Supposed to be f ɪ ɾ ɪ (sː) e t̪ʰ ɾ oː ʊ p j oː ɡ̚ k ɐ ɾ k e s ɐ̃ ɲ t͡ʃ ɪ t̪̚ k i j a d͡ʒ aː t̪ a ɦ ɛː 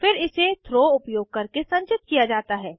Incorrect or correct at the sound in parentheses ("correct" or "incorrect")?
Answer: incorrect